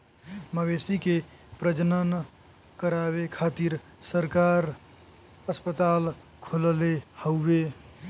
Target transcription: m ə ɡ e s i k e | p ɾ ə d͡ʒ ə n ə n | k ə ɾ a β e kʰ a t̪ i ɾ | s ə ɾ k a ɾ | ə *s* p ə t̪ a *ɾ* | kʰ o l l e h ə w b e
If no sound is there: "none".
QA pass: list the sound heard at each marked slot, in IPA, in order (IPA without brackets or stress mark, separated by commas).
s, l